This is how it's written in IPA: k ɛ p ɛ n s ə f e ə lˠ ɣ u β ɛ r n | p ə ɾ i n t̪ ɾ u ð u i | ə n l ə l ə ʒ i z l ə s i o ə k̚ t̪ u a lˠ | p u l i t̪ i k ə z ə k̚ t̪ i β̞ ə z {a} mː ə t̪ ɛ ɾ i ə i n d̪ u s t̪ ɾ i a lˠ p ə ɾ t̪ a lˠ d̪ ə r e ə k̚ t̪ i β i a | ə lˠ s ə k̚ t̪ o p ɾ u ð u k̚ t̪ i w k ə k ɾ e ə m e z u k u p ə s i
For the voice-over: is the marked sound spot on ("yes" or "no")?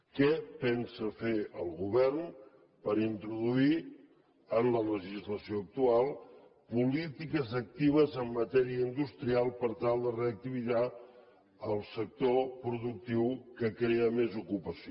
no